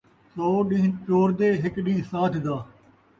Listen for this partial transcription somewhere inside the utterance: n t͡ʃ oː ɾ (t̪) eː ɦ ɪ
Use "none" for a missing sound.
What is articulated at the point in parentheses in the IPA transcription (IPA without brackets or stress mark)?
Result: d̪